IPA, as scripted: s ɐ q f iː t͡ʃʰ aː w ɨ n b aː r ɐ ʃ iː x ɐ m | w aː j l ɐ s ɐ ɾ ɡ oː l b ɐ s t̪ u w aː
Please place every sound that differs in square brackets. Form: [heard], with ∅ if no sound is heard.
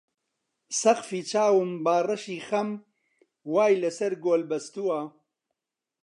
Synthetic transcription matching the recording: s ɐ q f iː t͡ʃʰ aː w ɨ [m] b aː r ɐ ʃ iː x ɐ m | w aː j l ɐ s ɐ ɾ ɡ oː l b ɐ s t̪ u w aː

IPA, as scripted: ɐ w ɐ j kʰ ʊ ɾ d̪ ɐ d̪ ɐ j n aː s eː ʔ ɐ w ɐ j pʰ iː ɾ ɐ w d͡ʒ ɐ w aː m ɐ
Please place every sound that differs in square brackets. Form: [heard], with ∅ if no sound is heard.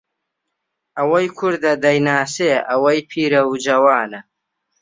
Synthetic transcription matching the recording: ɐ w ɐ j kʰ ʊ ɾ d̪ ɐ d̪ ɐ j n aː s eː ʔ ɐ w ɐ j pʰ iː ɾ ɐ w d͡ʒ ɐ w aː [n] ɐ

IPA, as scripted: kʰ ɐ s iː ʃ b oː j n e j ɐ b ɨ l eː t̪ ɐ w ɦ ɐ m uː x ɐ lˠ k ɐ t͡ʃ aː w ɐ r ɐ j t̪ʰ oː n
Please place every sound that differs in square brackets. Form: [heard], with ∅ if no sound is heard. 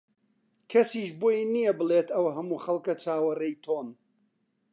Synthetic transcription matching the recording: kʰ ɐ s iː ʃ b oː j n [i] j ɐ b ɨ l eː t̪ ɐ w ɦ ɐ m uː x ɐ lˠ k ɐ t͡ʃ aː w ɐ r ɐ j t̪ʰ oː n

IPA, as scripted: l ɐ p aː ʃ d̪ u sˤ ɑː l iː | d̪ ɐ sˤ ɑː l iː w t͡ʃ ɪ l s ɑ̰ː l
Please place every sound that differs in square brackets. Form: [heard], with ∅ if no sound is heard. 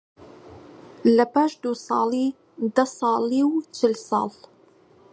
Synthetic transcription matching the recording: l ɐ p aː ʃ d̪ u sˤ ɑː l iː | d̪ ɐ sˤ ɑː l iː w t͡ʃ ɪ l s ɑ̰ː l

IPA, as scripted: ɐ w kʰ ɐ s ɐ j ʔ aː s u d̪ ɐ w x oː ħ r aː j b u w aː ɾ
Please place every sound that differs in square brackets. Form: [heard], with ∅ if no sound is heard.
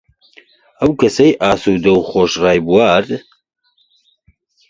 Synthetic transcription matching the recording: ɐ w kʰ ɐ s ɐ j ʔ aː s u d̪ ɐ w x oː [ʃ] r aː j b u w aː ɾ

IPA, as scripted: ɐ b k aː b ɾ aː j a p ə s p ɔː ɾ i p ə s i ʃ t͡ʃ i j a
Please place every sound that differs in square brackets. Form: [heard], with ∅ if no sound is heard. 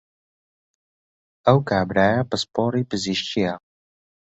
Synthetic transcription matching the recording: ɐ [w] k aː b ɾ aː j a p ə s p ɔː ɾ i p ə [z] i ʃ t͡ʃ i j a

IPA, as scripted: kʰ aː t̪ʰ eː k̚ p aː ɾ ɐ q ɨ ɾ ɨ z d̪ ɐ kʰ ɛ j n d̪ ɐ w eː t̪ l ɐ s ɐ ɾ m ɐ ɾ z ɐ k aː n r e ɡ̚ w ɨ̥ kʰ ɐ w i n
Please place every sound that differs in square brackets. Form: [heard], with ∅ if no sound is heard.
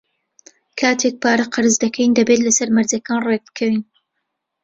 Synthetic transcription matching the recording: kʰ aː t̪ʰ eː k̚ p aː ɾ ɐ q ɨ ɾ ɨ z d̪ ɐ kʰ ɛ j n d̪ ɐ [b] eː t̪ l ɐ s ɐ ɾ m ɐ ɾ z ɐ k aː n r e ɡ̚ [b] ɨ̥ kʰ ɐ w i n

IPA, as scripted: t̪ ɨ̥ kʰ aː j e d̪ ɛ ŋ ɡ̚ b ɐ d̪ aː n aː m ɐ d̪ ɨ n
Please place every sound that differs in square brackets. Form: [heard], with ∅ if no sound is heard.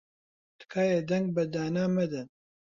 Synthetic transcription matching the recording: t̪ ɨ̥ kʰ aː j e d̪ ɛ ŋ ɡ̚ b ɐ d̪ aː n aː m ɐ d̪ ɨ n

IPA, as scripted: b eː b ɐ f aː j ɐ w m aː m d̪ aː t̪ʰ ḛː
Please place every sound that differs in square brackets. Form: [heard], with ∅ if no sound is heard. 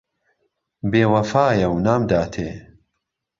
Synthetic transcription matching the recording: b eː [w] ɐ f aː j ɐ w [n] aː m d̪ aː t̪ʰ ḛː

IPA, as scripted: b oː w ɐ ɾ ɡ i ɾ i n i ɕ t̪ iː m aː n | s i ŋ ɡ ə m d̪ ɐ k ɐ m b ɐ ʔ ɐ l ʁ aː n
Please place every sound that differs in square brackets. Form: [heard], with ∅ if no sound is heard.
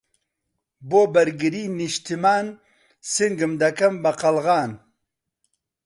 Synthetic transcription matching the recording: b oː [b] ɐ ɾ ɡ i ɾ i n i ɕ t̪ [i] m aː n | s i ŋ ɡ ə m d̪ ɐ k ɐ m b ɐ [q] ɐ l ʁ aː n

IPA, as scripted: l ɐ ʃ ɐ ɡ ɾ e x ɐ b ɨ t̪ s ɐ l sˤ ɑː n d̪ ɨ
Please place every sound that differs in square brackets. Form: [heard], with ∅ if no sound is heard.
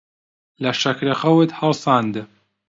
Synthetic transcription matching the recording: l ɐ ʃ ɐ [k] ɾ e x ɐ [w] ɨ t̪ [h] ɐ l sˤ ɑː n d̪ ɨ

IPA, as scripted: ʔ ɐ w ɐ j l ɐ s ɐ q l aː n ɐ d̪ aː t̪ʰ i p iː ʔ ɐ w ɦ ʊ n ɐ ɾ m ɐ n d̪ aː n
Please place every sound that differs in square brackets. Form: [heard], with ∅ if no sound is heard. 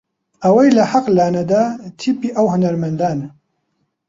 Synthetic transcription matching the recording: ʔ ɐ w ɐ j l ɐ [ħ] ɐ q l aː n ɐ d̪ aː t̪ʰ i p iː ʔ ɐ w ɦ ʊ n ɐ ɾ m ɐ n d̪ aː n

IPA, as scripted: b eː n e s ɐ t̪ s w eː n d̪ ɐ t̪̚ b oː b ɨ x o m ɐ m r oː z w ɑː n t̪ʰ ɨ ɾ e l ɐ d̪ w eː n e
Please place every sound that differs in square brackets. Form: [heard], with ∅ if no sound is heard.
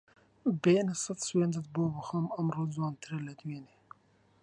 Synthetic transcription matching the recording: b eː n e s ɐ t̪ s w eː n d̪ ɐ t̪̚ b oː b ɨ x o m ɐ m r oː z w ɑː n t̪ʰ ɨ ɾ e l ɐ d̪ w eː n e

